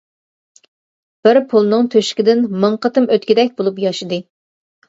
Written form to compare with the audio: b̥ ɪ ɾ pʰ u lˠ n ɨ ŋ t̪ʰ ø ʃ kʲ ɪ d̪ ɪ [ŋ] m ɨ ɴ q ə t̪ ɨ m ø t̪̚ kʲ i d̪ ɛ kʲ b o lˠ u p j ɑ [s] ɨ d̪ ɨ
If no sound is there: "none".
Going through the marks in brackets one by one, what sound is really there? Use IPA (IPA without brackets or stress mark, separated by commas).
n, ʃ